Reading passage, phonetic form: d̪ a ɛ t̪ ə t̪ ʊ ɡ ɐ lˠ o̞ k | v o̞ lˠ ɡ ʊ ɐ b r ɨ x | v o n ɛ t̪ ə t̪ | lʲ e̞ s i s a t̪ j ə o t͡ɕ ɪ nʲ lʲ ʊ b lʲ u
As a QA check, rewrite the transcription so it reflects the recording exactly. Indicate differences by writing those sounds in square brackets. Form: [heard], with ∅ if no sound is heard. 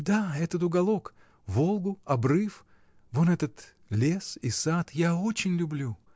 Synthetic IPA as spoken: d̪ a ɛ t̪ ə t̪ ʊ ɡ ɐ lˠ o̞ k | v o̞ lˠ ɡ ʊ ɐ b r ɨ [f] | v o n ɛ t̪ ə t̪ | lʲ e̞ s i s a t̪ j [a] o t͡ɕ ɪ nʲ lʲ ʊ b lʲ u